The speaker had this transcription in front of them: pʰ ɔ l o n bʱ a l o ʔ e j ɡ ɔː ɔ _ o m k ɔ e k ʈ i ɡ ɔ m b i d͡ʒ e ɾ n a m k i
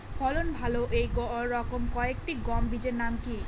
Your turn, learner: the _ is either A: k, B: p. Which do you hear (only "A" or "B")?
A